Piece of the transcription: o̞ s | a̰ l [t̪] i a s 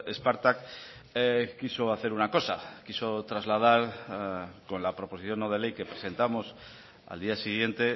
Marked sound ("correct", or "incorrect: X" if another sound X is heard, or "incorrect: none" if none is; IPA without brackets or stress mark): incorrect: d̪